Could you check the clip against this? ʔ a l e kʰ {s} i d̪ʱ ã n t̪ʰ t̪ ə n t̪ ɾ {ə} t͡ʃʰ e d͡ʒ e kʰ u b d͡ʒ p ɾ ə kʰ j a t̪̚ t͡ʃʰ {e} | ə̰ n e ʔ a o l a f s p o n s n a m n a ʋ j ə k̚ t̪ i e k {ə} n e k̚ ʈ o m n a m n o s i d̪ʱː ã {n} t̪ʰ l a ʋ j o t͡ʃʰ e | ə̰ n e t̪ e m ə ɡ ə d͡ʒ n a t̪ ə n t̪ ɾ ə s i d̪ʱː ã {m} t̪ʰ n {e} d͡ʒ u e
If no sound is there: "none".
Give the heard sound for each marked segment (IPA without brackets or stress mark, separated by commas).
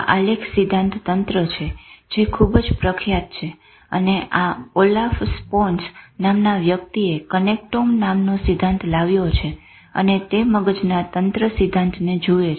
s, ə, e, ə, n, n, e